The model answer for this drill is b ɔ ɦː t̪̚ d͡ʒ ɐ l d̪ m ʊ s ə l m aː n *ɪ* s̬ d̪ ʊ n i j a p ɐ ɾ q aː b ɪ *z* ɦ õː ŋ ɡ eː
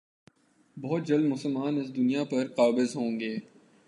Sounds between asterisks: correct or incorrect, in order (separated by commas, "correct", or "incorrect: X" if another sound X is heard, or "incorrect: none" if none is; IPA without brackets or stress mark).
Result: correct, correct